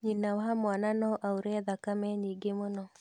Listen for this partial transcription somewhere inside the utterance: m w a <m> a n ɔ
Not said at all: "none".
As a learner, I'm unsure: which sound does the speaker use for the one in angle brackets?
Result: n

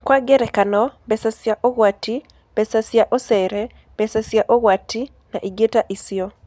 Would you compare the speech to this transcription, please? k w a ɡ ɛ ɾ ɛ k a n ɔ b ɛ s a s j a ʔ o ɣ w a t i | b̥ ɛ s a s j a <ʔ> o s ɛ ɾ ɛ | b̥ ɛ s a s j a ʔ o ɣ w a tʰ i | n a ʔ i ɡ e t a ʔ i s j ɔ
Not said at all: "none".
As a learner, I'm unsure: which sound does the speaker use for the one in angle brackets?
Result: ʔ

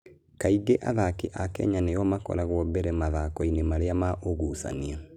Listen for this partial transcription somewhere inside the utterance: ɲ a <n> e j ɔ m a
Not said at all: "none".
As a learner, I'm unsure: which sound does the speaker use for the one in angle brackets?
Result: n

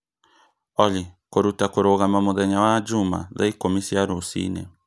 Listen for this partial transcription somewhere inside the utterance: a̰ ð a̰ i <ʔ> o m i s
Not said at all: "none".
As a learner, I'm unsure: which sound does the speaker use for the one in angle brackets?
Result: k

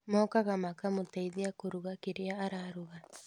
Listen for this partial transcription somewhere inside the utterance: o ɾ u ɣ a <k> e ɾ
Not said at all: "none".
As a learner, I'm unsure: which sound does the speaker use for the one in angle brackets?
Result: k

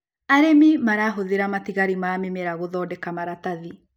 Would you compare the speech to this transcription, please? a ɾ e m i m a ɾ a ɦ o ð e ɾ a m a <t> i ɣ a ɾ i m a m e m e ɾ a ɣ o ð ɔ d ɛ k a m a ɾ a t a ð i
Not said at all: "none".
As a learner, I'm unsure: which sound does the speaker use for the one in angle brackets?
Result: t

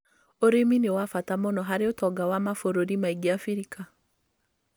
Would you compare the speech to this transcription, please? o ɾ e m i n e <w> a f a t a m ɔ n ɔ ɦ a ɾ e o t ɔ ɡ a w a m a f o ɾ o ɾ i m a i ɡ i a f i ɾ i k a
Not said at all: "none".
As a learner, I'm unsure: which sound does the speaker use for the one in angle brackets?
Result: w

